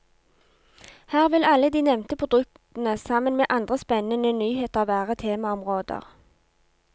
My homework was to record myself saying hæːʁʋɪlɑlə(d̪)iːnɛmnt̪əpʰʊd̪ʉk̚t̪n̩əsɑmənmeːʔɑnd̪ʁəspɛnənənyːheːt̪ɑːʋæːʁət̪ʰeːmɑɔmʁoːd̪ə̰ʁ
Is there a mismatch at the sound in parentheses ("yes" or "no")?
no